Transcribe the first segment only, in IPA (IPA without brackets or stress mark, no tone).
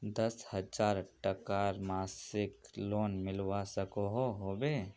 d̪